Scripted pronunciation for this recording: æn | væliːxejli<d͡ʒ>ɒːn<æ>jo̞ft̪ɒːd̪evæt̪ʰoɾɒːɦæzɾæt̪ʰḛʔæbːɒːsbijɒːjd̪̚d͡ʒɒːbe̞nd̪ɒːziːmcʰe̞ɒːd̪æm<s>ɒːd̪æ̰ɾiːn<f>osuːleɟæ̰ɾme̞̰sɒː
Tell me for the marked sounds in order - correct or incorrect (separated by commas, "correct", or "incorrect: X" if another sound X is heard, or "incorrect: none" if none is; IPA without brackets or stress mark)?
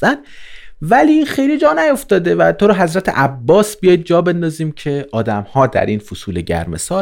correct, correct, incorrect: h, correct